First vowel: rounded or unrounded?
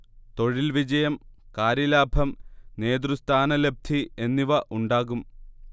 rounded